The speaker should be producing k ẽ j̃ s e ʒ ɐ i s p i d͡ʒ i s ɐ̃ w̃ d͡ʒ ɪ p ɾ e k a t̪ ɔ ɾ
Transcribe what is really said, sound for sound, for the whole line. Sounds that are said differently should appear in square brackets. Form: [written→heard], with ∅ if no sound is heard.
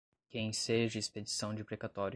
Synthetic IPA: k ẽ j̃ s e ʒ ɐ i s p [i→e] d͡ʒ i s ɐ̃ w̃ d͡ʒ ɪ p ɾ e k a t̪ ɔ ɾ